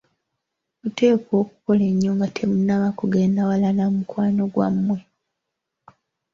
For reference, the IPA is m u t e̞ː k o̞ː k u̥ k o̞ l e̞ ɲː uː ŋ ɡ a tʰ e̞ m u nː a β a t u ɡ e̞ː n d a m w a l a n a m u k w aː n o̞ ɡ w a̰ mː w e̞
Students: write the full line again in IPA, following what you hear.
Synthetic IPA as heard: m u t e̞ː k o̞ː k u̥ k o̞ l e̞ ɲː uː ŋ ɡ a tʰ e̞ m u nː a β a k u ɡ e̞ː n d a w a l a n a m u k w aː n o̞ ɡ w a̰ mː w e̞